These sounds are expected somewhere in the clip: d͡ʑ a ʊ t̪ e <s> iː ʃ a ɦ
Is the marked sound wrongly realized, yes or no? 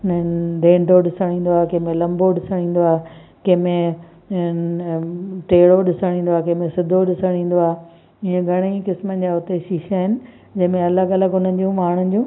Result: yes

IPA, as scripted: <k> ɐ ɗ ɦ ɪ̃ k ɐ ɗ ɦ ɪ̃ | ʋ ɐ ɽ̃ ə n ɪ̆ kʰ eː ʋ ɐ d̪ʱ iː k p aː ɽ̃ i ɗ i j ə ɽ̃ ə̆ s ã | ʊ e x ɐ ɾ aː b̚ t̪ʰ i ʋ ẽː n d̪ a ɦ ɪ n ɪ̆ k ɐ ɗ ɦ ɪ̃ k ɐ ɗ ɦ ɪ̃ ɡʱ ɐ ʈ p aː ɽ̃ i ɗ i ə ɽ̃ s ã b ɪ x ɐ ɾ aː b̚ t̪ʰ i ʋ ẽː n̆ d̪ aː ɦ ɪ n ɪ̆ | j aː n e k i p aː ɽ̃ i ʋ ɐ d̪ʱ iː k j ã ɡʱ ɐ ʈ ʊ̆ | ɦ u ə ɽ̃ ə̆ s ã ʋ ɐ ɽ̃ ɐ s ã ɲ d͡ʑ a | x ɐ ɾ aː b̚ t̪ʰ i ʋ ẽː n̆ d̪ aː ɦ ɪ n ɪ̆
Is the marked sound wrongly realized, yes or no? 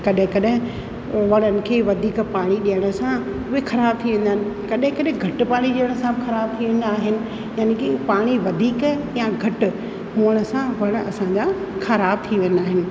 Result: no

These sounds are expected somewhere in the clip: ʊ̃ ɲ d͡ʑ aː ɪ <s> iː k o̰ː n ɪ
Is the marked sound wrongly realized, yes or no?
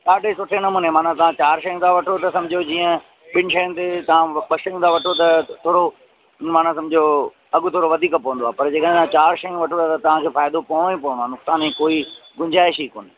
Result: yes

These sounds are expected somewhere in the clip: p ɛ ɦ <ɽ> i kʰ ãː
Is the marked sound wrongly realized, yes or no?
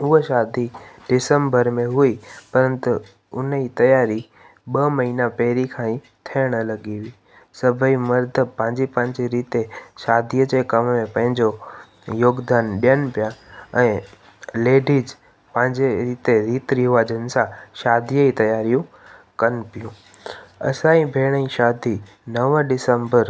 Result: yes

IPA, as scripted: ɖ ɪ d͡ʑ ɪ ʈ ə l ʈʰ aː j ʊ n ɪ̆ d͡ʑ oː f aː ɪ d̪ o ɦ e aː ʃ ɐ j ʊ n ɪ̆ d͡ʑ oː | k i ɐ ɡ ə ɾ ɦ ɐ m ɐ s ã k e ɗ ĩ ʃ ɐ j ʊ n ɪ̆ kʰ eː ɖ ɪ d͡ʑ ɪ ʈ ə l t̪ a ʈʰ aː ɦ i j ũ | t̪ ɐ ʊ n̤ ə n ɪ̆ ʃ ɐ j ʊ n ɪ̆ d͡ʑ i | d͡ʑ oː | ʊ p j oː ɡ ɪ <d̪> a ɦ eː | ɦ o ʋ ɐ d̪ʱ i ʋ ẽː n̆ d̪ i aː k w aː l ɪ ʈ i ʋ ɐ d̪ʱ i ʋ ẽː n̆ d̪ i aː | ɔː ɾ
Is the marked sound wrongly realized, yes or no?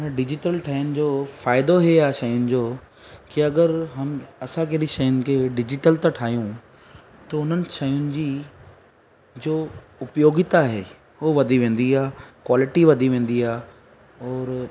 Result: yes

